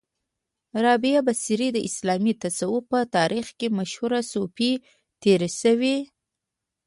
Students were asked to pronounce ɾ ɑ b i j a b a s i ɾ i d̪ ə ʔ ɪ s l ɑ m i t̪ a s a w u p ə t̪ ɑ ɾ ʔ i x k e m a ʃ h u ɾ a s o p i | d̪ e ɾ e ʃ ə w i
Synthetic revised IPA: ɾ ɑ b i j a b a s i ɾ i d̪ ə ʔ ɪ s l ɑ m i t̪ a s a w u p ə t̪ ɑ ɾ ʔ i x k e m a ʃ h u ɾ a s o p i | t̪ e ɾ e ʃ ə w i